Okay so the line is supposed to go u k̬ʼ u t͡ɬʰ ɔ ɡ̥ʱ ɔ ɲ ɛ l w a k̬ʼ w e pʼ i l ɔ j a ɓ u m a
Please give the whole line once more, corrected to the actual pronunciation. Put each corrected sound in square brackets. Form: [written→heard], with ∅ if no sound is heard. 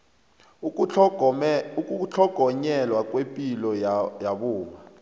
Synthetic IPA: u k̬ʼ u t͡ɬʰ ɔ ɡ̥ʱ ɔ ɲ ɛ l w a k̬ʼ w e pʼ i l ɔ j a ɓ [u→uː] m a